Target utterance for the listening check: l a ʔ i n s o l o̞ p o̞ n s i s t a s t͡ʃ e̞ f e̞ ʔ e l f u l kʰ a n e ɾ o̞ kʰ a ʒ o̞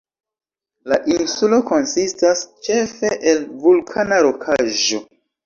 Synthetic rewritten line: l a ʔ i n s u l o̞ k o̞ n s i s t a s t͡ʃ e̞ f e̞ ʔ e l v u l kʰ a n a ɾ o̞ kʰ a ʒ o̞